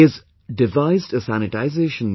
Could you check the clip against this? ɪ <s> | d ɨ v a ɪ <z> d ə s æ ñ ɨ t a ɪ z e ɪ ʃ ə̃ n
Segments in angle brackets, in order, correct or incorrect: incorrect: z, correct

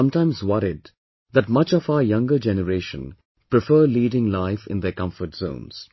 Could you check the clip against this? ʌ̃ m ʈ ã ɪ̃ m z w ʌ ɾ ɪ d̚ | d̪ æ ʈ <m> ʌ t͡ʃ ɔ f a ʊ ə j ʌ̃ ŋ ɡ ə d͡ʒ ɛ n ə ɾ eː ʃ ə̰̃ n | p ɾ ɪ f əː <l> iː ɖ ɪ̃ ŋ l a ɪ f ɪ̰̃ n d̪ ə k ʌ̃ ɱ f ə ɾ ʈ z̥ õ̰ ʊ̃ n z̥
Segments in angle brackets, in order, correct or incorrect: correct, correct

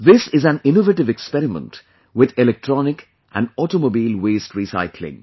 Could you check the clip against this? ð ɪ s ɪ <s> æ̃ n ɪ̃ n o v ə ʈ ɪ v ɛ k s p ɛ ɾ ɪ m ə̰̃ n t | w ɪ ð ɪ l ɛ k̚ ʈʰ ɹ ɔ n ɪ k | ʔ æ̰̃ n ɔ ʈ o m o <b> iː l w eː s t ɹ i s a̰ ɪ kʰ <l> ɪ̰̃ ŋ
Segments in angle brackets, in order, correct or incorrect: incorrect: z, correct, correct

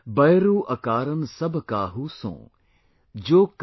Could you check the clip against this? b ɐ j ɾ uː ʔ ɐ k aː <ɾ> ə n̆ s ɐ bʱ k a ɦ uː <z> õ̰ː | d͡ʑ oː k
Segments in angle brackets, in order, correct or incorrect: correct, incorrect: s

